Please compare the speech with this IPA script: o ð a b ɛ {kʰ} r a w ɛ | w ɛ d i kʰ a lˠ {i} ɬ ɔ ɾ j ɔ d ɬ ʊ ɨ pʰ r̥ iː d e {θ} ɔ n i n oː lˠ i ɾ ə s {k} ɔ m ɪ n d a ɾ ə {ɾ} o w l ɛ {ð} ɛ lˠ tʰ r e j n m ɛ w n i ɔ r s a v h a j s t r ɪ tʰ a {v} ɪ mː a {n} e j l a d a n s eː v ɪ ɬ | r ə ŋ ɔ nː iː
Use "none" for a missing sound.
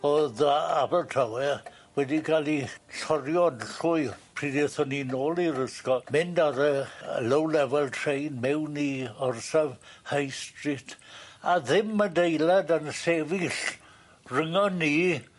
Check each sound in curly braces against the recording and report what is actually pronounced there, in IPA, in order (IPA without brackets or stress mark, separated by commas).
tʰ, i, θ, k, l, v, ð, d